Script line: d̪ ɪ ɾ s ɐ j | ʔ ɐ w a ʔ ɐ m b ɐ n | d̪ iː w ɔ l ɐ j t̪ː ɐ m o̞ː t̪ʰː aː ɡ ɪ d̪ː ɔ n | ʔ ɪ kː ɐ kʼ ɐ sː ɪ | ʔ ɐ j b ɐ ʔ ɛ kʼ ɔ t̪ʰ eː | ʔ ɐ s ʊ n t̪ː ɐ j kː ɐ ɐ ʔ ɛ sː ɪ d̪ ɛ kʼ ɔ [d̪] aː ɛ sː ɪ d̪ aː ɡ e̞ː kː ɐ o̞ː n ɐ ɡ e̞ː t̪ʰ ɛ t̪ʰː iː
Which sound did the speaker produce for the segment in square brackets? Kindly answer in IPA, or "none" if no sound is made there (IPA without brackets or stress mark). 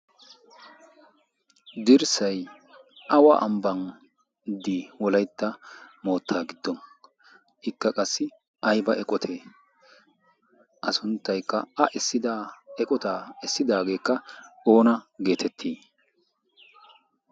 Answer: t̪